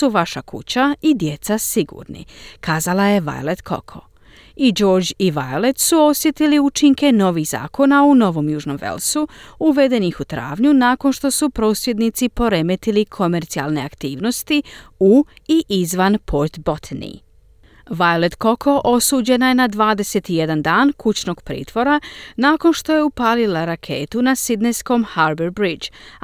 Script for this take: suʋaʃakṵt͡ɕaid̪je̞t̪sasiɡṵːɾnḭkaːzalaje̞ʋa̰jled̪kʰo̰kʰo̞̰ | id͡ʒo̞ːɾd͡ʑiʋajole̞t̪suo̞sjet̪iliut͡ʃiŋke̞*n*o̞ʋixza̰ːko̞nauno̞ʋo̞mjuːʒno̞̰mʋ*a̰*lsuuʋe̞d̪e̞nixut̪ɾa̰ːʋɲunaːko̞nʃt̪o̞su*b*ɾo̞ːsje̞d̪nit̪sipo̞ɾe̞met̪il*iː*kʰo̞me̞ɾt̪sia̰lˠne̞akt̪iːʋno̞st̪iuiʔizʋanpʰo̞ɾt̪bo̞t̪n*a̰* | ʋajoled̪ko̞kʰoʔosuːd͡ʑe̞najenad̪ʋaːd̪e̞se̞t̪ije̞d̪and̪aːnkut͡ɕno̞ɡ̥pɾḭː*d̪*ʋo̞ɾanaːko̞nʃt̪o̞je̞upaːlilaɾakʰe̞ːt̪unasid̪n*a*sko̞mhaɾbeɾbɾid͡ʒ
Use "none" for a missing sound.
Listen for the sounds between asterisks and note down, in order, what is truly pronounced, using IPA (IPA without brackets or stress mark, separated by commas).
n, ḛ, p, i, ḭ, t̪, e